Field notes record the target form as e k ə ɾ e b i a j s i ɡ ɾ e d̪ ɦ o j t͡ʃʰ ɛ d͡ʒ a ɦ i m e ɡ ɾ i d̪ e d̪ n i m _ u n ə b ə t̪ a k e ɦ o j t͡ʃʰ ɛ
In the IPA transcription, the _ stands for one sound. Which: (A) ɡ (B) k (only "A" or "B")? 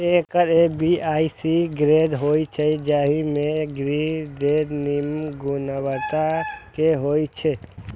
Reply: A